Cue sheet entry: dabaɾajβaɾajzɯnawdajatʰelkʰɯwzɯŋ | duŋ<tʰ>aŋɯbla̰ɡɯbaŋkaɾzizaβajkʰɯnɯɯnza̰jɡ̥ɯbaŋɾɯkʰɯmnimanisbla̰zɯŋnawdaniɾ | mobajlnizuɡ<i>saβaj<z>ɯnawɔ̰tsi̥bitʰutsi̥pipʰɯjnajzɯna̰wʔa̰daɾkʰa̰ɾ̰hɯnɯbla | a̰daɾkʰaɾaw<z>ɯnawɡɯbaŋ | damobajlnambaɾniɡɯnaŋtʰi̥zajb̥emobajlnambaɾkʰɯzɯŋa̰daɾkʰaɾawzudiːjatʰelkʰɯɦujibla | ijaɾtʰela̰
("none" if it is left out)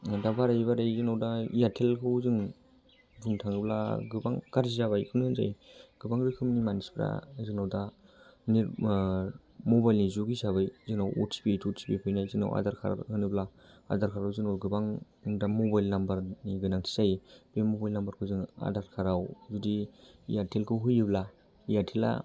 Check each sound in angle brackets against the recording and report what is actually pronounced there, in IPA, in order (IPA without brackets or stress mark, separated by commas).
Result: tʰ, i, z, z